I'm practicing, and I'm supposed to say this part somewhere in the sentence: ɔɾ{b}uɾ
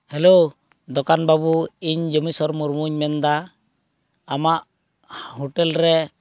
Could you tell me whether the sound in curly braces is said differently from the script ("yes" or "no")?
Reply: yes